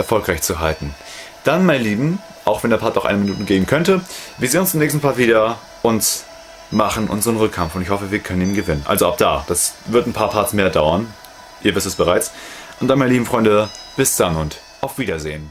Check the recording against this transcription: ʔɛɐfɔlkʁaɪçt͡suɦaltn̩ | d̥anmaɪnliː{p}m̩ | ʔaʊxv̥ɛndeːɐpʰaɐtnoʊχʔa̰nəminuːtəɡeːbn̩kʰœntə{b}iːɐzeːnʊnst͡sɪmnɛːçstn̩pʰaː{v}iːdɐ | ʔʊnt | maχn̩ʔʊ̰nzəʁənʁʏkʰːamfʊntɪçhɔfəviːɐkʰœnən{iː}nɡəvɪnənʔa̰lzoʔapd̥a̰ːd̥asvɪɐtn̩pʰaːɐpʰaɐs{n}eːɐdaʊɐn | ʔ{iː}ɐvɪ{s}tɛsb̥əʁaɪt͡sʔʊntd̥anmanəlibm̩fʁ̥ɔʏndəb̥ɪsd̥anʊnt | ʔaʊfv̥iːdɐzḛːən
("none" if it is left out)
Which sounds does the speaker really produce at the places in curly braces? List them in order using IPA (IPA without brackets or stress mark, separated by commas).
b, v, v, iː, m, iː, s